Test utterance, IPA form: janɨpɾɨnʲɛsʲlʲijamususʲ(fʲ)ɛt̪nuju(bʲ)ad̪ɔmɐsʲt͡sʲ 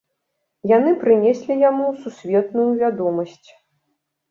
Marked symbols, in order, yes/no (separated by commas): no, no